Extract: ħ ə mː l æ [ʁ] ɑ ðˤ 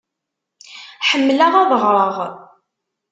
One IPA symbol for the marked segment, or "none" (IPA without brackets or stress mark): ʁ